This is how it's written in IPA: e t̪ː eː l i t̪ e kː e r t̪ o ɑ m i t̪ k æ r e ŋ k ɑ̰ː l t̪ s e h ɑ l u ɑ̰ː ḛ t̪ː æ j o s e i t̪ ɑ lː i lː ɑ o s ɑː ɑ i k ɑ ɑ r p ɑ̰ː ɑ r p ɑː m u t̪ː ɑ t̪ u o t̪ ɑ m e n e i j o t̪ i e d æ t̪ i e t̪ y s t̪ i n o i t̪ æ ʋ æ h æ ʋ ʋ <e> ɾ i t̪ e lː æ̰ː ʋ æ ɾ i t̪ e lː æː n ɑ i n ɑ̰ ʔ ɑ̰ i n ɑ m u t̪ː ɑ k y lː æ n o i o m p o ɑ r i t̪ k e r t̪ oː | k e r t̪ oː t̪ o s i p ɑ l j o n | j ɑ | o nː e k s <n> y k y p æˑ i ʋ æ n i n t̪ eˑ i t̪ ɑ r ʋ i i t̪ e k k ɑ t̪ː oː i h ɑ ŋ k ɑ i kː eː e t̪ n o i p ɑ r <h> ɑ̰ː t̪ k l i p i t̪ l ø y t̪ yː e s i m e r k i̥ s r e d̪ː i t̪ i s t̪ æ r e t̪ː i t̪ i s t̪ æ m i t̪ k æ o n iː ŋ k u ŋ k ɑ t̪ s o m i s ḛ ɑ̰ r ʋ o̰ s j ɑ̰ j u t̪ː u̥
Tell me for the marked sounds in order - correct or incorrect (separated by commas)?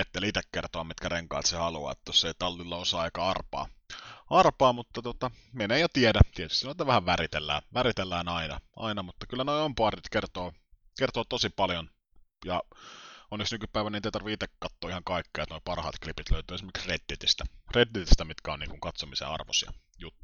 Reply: incorrect, correct, correct